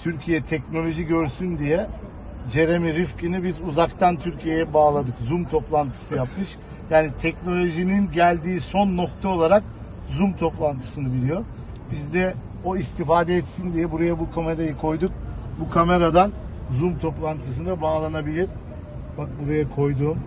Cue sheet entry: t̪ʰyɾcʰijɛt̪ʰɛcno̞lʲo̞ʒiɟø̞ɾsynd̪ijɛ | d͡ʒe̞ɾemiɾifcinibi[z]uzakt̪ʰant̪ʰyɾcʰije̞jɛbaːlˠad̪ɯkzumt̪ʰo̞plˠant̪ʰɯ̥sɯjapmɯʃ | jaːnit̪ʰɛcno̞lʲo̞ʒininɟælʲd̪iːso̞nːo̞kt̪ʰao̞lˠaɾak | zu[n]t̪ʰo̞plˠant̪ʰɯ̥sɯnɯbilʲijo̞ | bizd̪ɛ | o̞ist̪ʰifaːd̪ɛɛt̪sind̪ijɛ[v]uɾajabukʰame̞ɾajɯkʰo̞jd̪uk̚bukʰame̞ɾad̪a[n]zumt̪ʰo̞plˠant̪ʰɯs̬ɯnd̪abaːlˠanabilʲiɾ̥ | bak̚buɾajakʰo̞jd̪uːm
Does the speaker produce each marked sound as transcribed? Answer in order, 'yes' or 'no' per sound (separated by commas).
yes, no, no, yes